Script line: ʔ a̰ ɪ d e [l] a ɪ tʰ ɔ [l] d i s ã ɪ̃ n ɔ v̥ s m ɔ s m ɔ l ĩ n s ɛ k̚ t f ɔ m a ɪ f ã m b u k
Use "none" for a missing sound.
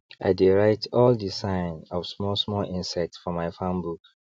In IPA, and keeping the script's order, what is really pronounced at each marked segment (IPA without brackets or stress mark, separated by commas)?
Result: ɹ, l